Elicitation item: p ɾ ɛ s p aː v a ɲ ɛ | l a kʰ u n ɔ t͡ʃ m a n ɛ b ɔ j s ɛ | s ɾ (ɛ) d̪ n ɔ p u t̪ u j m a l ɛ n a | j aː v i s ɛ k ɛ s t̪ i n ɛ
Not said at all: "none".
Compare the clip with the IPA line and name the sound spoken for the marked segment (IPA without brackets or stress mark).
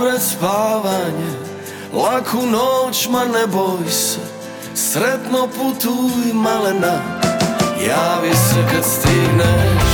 ɛ